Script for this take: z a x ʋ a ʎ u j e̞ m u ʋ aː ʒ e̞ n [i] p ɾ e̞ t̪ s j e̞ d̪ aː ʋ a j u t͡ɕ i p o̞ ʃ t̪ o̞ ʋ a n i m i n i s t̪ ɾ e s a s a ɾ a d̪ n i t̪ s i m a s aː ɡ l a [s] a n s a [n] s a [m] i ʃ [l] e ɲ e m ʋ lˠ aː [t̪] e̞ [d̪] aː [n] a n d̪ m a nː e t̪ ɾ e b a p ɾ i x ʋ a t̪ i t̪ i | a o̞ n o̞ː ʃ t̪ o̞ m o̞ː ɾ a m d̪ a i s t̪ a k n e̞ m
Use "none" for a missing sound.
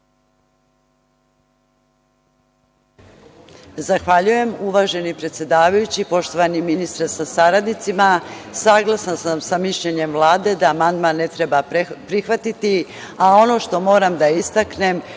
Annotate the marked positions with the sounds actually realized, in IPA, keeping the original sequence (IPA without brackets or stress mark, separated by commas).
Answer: i, s, m, m, ʎ, d̪, d̪, m